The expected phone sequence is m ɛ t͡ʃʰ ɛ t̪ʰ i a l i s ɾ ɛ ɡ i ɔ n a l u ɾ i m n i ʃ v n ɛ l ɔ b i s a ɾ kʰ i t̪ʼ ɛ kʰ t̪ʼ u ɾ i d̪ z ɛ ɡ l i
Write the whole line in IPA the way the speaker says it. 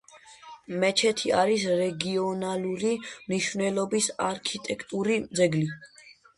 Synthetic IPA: m ɛ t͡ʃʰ ɛ t̪ʰ i a ɾ i s ɾ ɛ ɡ i ɔ n a l u ɾ i m n i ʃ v n ɛ l ɔ b i s a ɾ kʰ i t̪ʼ ɛ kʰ t̪ʼ u ɾ i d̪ z ɛ ɡ l i